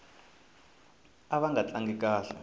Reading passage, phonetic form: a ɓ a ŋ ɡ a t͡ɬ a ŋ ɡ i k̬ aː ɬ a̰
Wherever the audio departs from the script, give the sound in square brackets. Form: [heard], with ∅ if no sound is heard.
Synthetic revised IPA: a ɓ a ŋ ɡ a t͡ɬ a ŋ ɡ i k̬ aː ɬ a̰